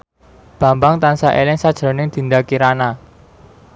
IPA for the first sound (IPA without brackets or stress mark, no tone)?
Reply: b̥